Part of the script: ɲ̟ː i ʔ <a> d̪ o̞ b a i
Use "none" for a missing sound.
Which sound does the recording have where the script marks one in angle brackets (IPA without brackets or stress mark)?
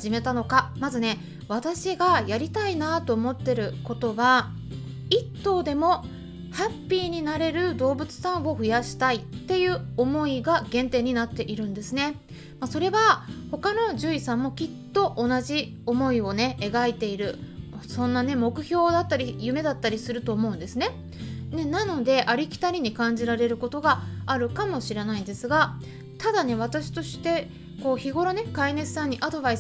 a